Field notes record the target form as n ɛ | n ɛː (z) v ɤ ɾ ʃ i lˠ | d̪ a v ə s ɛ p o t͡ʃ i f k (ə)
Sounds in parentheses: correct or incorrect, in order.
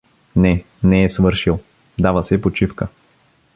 incorrect: s, correct

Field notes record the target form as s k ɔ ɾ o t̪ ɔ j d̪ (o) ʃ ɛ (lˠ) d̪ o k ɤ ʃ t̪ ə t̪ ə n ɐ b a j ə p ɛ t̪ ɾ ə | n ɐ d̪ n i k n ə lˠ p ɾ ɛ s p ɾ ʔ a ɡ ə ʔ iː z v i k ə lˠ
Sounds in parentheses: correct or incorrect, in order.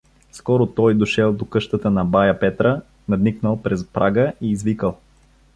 correct, correct

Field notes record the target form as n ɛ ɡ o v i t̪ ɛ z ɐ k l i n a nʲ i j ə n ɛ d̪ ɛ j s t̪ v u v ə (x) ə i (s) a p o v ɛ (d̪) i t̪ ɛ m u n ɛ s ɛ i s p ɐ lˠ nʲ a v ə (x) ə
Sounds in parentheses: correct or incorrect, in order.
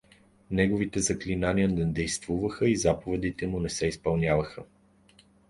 correct, incorrect: z, correct, correct

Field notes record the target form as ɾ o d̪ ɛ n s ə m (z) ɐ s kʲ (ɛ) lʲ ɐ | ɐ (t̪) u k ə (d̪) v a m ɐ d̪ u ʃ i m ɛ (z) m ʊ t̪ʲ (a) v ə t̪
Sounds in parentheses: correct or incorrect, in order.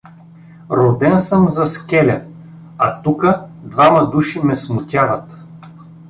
correct, correct, correct, correct, incorrect: s, correct

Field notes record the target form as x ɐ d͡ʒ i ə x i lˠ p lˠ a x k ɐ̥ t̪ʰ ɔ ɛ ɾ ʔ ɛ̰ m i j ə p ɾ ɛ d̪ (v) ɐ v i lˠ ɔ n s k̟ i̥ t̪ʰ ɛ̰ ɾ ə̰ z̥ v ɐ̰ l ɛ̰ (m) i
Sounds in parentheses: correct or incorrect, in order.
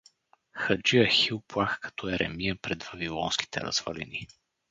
correct, incorrect: n

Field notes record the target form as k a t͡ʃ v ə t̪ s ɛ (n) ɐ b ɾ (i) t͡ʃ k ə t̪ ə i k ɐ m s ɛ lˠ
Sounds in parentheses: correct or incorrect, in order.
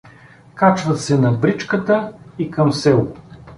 correct, correct

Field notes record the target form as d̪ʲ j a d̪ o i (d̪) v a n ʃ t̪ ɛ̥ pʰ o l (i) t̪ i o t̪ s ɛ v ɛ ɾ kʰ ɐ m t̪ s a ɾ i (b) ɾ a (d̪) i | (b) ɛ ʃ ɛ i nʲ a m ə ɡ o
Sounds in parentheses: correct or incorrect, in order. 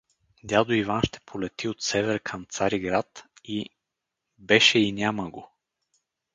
incorrect: none, incorrect: ɛ, incorrect: ɡ, incorrect: t̪, correct

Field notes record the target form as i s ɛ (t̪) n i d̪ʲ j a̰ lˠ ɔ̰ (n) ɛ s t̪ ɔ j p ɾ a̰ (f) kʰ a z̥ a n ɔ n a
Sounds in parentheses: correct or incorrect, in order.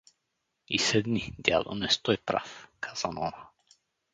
incorrect: d̪, correct, correct

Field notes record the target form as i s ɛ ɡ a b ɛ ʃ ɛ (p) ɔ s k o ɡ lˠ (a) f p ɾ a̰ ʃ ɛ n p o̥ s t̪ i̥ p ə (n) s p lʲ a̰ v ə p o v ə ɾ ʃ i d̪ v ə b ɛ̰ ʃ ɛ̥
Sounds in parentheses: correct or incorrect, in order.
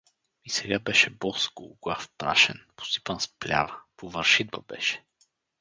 incorrect: b, correct, correct

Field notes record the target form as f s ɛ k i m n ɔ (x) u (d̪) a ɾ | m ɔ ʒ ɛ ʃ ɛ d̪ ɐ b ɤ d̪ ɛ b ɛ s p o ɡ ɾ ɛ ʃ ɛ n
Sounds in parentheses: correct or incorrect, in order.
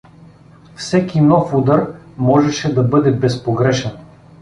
incorrect: f, correct

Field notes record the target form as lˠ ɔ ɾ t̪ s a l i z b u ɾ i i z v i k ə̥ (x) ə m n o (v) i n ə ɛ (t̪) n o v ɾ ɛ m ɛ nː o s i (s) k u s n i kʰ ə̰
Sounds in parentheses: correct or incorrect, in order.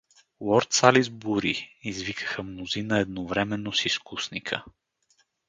correct, incorrect: z, incorrect: d̪, correct

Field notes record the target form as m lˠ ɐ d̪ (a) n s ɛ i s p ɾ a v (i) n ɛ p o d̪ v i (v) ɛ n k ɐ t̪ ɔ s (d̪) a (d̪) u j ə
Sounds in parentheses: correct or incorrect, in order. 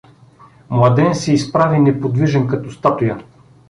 incorrect: ɛ, correct, incorrect: ʒ, incorrect: t̪, incorrect: t̪

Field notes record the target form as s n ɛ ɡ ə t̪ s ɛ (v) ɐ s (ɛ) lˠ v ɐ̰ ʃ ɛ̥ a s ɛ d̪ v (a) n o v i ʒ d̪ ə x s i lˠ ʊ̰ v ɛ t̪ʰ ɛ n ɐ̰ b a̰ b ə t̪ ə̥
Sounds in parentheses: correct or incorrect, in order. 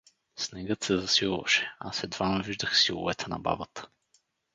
incorrect: z, incorrect: i, correct

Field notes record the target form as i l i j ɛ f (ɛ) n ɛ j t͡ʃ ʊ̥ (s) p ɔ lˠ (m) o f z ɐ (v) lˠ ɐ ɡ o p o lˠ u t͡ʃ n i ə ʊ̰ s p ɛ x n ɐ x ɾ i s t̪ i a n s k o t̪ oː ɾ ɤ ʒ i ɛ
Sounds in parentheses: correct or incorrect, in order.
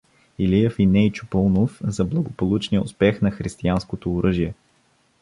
incorrect: i, incorrect: none, incorrect: n, incorrect: b

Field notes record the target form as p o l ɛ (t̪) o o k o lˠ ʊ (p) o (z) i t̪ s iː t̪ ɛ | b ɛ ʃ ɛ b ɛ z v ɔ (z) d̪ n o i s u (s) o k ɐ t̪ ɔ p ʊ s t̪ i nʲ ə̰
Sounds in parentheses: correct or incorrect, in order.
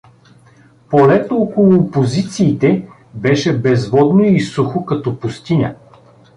correct, correct, correct, incorrect: none, incorrect: x

